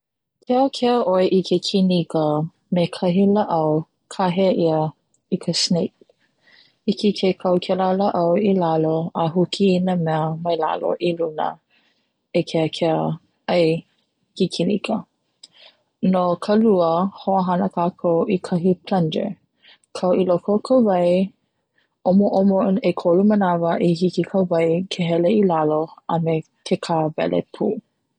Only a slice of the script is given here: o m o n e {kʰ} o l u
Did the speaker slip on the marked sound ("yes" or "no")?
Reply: no